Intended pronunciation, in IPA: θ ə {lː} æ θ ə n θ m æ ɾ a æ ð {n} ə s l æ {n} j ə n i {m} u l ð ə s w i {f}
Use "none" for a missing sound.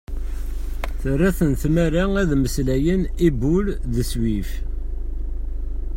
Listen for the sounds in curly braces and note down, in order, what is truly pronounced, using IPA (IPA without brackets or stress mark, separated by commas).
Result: rː, m, none, b, f